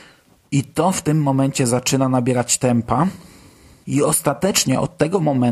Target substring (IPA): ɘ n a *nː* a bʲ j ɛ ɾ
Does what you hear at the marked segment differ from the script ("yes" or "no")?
yes